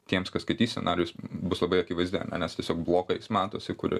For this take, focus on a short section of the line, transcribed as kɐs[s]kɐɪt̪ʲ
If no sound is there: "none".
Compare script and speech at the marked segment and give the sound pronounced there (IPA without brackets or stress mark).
s